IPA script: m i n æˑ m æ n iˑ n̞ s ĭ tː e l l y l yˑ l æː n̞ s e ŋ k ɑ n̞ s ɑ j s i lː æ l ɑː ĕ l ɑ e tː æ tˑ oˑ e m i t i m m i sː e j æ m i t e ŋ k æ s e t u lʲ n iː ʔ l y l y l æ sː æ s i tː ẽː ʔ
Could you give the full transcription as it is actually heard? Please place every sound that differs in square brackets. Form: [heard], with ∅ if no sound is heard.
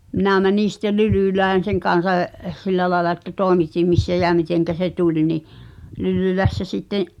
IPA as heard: m i n æˑ m æ n iˑ n̞ s ĭ tː e l l y l yˑ l æː n̞ s e ŋ k ɑ n̞ s ɑ j s i lː æ l ɑː ĕ l ɑ e tː æ tˑ oˑ e m i t i m m i sː [æ] j æ m i t e ŋ k æ s e t u lʲ n [i] ʔ l y l y l æ sː æ s i tː ẽː ʔ